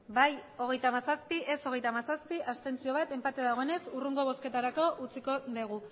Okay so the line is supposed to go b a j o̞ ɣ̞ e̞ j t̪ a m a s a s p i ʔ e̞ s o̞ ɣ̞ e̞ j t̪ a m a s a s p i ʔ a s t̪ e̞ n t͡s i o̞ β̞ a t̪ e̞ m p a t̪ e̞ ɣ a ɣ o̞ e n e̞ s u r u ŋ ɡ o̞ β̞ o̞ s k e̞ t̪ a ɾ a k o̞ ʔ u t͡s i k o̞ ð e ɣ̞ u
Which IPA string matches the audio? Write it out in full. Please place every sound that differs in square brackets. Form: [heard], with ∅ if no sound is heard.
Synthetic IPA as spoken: b a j o̞ ɣ̞ e̞ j t̪ a m a s a s p i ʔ e̞ s o̞ ɣ̞ e̞ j t̪ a m a s a s p i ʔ a s t̪ e̞ n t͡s i o̞ β̞ a t̪ e̞ m p a t̪ e̞ [ð] a ɣ o̞ e n e̞ s u r u ŋ ɡ o̞ β̞ o̞ s k e̞ t̪ a ɾ a k o̞ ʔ u t͡s i k o̞ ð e ɣ̞ u